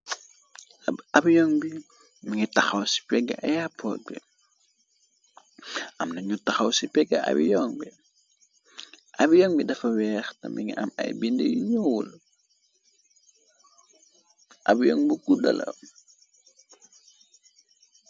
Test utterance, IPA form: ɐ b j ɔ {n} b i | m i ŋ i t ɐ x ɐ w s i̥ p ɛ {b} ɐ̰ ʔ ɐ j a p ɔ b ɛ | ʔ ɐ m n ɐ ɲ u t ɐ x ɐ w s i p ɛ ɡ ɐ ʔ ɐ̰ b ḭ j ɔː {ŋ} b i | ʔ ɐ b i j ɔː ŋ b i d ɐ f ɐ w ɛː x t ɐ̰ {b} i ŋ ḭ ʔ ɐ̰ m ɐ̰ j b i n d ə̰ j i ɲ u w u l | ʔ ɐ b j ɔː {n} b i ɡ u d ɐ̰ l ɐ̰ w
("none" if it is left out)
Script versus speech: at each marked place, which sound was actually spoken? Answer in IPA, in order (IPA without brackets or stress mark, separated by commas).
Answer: ŋ, ɡ, ŋ, m, ŋ